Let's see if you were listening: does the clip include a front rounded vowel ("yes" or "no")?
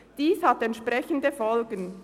no